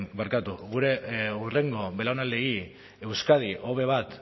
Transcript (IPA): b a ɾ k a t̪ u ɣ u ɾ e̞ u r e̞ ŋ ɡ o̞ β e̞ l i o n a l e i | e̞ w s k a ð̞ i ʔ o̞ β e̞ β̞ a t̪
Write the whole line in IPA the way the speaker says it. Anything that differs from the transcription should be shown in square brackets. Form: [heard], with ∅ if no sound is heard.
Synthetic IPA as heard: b a ɾ k a t̪ u ɣ u ɾ e̞ u r e̞ ŋ ɡ o̞ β e̞ l [a] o n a l e i | e̞ w s k a ð̞ i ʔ o̞ β e̞ β̞ a t̪